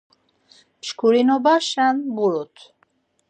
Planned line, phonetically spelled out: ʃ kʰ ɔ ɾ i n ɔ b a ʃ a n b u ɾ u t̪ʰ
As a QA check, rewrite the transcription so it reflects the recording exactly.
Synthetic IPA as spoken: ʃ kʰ u ɾ i n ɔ b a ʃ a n b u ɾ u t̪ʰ